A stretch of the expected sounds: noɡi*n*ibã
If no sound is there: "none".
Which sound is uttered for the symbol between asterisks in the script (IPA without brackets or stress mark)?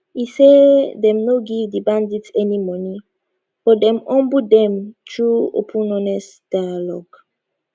d